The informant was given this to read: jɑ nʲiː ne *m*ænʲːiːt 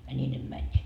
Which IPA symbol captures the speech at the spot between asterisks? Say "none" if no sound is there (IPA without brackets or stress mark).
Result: m